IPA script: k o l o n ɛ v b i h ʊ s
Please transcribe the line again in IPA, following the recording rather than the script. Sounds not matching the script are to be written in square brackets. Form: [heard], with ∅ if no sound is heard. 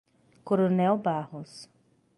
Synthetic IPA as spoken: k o [ɾ] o n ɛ [w] b [a] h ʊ s